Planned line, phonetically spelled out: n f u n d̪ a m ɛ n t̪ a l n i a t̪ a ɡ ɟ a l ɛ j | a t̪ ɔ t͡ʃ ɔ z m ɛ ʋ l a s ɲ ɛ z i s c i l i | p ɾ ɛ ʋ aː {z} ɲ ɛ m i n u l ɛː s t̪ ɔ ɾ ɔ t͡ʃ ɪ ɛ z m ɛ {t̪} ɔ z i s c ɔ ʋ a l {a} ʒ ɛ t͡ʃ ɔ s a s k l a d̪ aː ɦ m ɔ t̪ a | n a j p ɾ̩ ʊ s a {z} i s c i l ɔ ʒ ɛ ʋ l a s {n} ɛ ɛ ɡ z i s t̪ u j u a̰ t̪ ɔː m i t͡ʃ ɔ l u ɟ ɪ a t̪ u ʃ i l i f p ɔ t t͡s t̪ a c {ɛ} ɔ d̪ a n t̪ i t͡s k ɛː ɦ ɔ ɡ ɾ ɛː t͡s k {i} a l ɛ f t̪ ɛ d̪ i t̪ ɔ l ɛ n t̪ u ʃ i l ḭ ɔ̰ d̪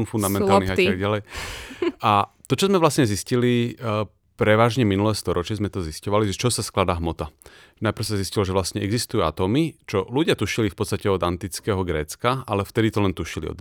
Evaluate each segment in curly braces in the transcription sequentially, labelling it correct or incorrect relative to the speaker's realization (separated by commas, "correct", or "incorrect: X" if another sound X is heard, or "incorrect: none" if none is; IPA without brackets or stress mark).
incorrect: ʒ, correct, incorrect: i, correct, incorrect: ɲ, correct, incorrect: a